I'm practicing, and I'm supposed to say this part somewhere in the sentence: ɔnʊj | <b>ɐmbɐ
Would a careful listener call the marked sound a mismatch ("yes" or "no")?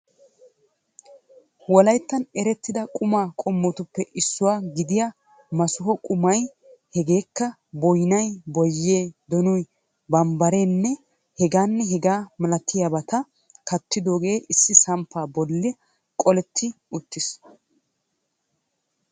no